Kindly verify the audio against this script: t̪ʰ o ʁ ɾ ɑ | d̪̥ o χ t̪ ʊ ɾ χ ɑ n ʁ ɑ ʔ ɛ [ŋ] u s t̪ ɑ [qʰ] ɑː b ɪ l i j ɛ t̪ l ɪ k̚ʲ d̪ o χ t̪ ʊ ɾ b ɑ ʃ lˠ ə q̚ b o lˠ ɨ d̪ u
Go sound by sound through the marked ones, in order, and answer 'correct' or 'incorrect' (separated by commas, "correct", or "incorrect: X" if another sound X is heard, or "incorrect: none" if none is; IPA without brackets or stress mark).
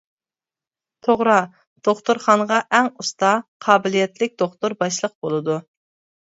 correct, correct